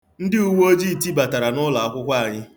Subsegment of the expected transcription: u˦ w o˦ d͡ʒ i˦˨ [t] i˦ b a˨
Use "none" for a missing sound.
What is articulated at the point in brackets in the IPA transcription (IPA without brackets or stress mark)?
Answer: t